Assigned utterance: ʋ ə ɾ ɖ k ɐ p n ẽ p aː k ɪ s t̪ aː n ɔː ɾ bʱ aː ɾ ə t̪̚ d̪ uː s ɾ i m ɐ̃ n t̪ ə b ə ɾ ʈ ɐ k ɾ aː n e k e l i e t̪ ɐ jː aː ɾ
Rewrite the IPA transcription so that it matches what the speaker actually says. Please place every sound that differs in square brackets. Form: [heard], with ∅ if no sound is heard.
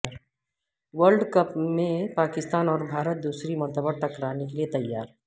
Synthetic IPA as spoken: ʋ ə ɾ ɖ k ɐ p [m] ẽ p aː k ɪ s t̪ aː n ɔː ɾ bʱ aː ɾ ə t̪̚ d̪ uː s ɾ i m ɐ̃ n t̪ ə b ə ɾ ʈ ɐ k ɾ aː n e k e l i e t̪ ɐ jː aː ɾ